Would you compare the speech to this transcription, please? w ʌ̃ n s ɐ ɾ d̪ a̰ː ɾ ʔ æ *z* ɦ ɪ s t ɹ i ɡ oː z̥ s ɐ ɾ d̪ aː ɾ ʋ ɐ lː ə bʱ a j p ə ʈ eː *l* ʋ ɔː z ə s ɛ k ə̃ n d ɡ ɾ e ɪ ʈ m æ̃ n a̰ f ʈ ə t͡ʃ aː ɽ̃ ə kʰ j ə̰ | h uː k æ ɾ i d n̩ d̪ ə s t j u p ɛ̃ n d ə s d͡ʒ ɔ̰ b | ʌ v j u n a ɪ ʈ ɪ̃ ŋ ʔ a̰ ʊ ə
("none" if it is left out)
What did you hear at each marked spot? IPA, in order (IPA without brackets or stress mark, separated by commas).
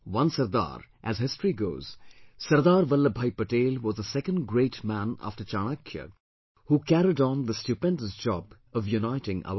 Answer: z, l